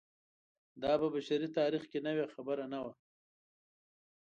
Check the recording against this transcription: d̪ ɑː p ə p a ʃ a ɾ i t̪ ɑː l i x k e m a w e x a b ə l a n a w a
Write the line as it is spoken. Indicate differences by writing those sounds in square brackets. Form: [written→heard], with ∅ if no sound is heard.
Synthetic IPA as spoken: d̪ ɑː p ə [p→b] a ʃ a ɾ i t̪ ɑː [l→ɾ] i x k e [m→n] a w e x a b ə [l→ɾ] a n a w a